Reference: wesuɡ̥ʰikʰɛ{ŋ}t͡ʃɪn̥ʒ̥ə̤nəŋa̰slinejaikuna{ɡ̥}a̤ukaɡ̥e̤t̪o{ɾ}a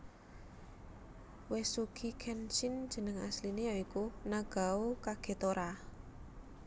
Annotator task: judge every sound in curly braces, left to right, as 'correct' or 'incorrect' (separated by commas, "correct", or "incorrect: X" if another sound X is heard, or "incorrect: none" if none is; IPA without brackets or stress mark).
incorrect: n, correct, correct